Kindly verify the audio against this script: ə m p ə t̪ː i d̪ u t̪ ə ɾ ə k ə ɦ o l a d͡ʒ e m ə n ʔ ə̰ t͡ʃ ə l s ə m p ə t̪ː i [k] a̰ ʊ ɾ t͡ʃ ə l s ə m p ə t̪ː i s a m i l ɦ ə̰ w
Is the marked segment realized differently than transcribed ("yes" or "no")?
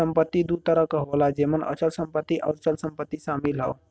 yes